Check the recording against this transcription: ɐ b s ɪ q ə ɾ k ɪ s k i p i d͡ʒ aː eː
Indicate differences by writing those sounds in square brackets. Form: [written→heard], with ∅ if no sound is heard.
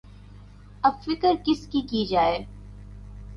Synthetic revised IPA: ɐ b [s→f] ɪ [q→k] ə ɾ k ɪ s k i [p→k] i d͡ʒ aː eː